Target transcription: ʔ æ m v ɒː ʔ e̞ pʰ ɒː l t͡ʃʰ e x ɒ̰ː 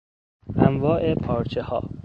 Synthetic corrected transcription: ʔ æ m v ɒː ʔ e̞ pʰ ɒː ɾ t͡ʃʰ e h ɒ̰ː

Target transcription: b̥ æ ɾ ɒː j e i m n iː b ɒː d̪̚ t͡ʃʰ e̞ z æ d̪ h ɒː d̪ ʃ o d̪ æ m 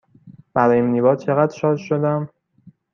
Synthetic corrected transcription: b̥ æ ɾ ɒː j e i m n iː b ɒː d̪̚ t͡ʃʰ e̞ ɣ æ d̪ ʃ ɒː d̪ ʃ o d̪ æ m

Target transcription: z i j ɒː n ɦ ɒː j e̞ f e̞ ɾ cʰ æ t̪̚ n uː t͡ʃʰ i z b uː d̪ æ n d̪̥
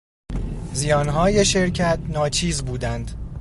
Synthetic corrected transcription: z i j ɒː n ɦ ɒː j e̞ ʃ e̞ ɾ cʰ æ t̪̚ n ɒː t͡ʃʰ iː z b uː d̪ æ n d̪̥

